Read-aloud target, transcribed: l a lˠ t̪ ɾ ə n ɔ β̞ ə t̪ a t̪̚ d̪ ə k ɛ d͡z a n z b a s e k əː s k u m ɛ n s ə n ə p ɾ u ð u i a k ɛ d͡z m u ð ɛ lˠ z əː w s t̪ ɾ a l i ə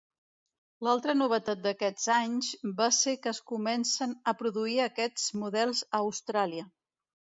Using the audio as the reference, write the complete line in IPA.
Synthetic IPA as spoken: l a lˠ t̪ ɾ ə n u β̞ ə t̪ a t̪̚ d̪ ə k ɛ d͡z a ɲ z b a s e k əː s k u m ɛ n s ə n ə p ɾ u ð u i ə k ɛ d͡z m u ð ɛ lˠ z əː w s t̪ ɾ a l i ə